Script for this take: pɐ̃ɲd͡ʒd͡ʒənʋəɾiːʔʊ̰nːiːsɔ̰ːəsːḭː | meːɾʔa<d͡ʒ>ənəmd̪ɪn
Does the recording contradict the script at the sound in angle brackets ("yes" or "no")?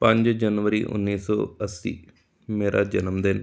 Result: no